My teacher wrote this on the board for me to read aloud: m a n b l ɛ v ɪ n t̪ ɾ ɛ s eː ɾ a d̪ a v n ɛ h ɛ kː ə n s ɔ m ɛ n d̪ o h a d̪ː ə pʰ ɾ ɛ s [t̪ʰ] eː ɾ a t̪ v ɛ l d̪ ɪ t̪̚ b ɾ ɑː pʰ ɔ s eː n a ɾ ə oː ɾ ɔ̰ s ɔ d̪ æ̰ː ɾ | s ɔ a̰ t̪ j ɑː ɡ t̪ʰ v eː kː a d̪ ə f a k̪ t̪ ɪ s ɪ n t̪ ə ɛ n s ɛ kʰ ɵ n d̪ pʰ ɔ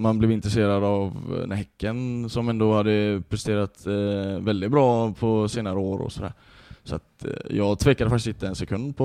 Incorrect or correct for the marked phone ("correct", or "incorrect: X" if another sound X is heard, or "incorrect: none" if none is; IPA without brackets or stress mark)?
incorrect: t̪